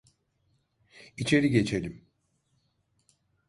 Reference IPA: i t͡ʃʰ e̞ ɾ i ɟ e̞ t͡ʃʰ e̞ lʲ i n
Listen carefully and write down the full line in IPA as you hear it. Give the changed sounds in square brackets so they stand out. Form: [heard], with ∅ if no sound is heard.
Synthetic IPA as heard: i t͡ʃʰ e̞ ɾ i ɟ e̞ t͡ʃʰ e̞ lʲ i [m]